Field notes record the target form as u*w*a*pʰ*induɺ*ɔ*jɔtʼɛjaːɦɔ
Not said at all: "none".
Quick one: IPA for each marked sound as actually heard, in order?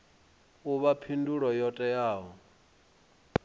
β, pʰ, ɔ

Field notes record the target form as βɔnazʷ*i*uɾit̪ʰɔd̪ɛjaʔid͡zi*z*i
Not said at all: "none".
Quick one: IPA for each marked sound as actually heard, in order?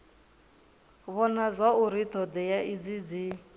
a, d͡z

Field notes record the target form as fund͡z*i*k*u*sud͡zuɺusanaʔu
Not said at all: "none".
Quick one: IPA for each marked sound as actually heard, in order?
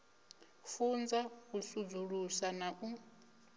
a, u

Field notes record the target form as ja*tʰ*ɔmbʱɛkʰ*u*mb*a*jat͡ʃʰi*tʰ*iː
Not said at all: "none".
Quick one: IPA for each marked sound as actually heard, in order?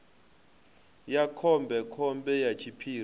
kʰ, ɔ, ɛ, pʰ

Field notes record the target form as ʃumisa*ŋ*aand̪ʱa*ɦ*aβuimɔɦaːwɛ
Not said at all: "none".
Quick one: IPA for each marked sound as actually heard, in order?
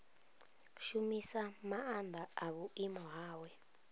m, none

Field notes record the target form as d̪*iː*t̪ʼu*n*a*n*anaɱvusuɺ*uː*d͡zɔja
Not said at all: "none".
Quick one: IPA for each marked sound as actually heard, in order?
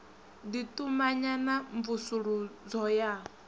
i, m, ɲ, u

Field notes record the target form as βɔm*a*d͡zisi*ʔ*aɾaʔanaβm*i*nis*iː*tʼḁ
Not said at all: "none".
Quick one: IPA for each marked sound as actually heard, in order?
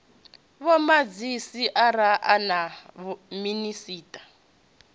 a, ʔ, i, iː

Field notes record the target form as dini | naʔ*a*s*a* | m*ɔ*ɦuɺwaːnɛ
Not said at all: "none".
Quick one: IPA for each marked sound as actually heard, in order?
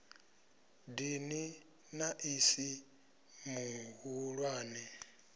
i, i, u

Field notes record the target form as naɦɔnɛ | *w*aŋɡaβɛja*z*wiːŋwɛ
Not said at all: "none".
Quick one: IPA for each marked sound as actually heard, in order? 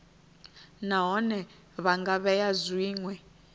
β, z

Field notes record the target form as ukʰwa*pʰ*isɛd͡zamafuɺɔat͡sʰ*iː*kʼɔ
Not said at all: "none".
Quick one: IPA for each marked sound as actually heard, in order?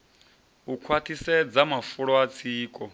tʰ, iː

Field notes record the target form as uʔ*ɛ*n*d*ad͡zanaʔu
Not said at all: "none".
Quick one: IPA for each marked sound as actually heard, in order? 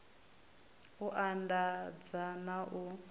a, d

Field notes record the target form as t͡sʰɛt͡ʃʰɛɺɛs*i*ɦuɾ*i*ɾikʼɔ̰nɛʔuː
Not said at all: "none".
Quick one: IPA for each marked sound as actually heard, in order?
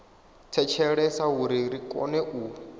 a, i

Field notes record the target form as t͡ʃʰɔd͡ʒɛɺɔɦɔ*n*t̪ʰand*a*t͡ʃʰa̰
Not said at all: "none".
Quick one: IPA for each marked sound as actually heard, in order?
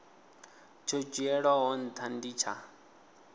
n, i

